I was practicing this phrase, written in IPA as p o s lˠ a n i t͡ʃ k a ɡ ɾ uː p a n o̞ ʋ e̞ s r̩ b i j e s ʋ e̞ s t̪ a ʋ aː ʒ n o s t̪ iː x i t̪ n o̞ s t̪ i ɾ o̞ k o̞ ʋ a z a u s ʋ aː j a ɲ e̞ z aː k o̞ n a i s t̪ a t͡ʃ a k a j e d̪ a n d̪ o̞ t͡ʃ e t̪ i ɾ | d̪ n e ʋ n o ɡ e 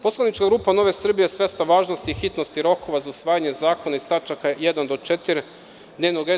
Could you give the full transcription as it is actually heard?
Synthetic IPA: p o s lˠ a n i t͡ʃ k a ɡ ɾ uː p a n o̞ ʋ e̞ s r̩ b i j e s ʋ e̞ s t̪ a ʋ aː ʒ n o s t̪ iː x i t̪ n o̞ s t̪ i ɾ o̞ k o̞ ʋ a z a u s ʋ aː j a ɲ e̞ z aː k o̞ n a i s t̪ a t͡ʃ a k a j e d̪ a n d̪ o̞ t͡ʃ e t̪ i ɾ | d̪ n e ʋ n o ɡ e